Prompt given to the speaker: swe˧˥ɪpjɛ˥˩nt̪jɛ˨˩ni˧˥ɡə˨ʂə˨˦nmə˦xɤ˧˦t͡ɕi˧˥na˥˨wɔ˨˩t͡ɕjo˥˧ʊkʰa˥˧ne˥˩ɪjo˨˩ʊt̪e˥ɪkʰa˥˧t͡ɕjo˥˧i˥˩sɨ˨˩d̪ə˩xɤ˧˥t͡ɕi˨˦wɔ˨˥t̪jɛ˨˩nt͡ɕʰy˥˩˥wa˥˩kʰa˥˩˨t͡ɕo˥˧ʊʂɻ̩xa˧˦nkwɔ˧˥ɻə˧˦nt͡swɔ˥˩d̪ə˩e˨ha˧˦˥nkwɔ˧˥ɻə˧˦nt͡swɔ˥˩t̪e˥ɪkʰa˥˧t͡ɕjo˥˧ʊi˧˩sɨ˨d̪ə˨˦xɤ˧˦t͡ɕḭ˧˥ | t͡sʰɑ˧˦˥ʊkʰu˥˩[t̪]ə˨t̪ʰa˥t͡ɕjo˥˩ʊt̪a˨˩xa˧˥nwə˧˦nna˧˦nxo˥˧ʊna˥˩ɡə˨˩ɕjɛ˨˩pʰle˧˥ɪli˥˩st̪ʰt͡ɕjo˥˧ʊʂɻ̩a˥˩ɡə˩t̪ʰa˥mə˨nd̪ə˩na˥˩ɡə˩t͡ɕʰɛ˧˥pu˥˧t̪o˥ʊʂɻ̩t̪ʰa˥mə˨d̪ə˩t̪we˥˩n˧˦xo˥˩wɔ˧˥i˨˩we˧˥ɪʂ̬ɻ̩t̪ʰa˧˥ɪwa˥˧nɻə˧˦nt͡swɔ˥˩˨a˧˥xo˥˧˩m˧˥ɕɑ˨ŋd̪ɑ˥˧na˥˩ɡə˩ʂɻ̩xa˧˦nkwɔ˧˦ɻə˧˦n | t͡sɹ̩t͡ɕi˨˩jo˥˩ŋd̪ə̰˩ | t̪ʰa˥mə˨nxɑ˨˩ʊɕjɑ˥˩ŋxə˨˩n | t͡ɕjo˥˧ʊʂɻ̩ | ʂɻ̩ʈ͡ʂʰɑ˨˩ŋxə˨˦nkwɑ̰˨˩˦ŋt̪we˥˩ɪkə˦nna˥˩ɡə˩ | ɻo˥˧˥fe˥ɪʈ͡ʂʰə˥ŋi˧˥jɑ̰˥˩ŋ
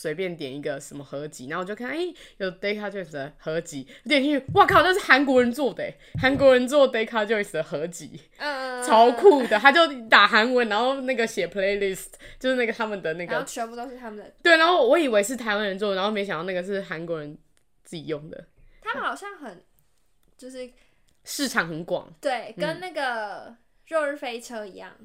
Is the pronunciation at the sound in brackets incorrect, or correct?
incorrect